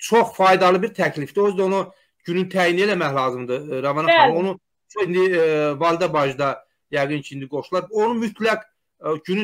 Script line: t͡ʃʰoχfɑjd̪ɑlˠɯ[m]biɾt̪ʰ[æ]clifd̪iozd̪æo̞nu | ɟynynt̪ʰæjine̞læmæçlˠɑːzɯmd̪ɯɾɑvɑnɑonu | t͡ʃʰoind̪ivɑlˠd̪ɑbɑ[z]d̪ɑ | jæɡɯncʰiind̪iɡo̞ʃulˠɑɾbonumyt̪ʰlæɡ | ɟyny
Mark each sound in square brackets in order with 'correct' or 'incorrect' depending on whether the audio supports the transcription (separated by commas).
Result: incorrect, correct, incorrect